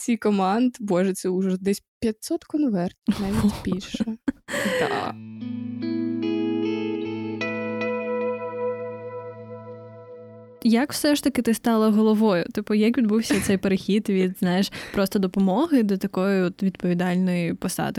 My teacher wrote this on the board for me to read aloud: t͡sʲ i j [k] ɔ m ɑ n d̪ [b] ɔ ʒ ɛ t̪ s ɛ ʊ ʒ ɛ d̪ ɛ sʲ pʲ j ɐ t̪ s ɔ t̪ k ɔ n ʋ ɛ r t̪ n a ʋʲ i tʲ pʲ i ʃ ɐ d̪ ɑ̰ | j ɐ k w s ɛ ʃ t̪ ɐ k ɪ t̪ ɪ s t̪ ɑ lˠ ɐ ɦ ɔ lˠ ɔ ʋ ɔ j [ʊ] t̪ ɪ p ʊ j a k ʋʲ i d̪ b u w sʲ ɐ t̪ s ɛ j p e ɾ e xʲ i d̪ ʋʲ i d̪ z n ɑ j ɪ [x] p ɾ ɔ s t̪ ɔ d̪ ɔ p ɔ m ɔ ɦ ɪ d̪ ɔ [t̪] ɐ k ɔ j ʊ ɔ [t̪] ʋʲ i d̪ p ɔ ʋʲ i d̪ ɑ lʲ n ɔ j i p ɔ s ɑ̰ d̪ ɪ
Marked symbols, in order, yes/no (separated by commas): yes, yes, yes, no, yes, yes